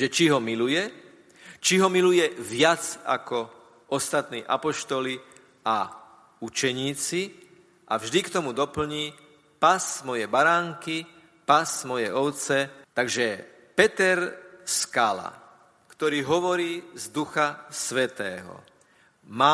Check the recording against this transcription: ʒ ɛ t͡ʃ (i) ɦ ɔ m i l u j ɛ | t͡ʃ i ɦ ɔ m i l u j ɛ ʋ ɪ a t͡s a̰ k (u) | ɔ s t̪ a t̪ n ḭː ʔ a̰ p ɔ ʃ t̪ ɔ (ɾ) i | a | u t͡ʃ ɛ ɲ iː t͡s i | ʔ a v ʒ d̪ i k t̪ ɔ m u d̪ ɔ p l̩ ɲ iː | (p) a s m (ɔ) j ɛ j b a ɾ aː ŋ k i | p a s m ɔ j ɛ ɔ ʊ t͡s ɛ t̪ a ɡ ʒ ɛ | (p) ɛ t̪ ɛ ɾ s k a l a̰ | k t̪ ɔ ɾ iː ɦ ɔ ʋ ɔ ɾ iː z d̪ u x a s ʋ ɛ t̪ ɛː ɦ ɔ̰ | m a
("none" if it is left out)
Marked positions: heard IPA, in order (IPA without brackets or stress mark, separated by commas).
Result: i, ɔ, l, p, ɔ, p